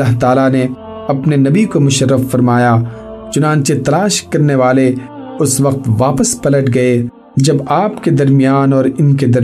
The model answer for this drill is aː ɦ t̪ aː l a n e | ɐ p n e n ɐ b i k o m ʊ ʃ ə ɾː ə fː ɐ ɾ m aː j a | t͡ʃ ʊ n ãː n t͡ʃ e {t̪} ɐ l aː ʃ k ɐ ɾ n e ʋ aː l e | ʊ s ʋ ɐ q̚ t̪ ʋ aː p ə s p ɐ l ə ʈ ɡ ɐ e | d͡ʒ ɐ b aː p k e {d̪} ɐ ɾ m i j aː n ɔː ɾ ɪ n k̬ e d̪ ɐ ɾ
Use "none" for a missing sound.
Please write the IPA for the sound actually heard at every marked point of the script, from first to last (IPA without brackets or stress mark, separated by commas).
t̪, d̪